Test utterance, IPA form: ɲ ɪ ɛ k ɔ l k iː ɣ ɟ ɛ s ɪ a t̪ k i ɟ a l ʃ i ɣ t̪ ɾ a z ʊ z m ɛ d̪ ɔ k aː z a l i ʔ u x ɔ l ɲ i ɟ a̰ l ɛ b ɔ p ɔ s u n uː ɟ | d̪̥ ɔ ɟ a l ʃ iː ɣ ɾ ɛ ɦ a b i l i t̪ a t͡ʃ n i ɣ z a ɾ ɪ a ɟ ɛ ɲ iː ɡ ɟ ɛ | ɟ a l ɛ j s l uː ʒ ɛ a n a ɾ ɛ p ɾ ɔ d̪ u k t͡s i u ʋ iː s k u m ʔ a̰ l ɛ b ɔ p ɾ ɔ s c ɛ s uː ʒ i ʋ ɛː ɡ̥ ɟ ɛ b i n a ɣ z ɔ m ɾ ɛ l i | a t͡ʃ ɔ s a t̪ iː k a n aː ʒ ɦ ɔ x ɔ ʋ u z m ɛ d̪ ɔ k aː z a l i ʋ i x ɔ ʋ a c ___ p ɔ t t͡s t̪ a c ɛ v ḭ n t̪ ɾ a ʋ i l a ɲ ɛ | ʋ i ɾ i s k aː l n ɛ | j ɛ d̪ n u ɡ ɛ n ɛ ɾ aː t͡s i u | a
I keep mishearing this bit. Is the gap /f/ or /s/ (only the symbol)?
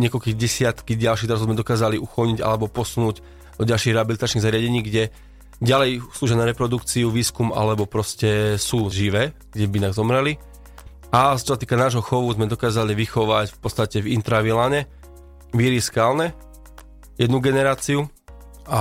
f